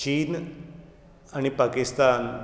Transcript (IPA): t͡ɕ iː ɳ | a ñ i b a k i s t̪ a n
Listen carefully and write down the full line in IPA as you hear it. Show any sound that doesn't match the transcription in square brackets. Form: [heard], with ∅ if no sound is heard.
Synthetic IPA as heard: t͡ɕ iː [n] | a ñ i [p] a k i s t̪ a n